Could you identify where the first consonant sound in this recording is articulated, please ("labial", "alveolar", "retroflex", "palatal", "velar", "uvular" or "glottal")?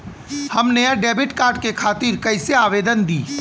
glottal